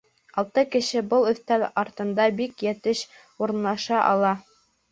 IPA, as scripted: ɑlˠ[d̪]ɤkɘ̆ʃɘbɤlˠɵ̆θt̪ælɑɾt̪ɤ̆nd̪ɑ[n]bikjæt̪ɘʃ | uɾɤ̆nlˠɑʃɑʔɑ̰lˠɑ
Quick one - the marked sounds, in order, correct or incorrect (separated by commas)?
incorrect, incorrect